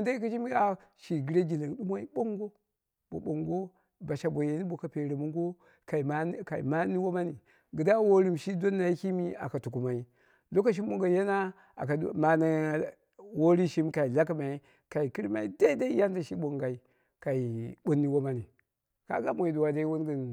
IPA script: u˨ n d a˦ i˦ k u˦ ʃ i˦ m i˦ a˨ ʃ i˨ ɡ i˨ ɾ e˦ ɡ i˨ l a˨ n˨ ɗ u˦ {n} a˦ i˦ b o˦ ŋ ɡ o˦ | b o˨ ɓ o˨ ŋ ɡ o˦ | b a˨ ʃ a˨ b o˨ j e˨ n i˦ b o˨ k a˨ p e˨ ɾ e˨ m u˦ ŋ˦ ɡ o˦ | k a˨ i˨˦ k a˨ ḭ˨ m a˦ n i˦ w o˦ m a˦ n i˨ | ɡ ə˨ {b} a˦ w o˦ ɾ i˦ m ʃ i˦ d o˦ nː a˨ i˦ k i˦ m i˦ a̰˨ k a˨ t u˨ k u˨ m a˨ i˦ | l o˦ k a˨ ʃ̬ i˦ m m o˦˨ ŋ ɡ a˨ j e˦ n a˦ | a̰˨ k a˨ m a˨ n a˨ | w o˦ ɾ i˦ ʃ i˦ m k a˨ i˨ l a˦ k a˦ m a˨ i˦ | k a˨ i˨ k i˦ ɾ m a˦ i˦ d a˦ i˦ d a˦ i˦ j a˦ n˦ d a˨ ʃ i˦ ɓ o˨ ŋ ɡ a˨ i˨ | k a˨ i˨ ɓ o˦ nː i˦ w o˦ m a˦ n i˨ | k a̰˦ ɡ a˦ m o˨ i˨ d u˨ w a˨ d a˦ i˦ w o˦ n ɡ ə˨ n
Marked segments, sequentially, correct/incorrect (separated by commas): incorrect, incorrect